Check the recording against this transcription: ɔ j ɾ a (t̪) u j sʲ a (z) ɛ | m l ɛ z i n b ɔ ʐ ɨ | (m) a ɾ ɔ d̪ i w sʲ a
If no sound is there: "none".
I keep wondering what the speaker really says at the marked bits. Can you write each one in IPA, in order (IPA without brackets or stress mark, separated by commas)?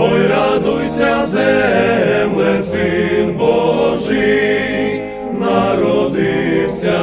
d̪, z, n